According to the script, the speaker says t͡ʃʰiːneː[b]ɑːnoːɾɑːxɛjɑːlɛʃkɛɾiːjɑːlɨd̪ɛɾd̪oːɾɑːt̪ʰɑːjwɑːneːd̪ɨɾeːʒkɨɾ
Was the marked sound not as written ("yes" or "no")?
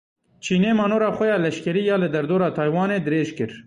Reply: yes